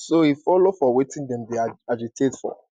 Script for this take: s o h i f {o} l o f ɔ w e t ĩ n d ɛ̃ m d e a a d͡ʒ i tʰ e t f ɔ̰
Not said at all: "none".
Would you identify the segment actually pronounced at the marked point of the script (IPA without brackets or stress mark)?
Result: ɔ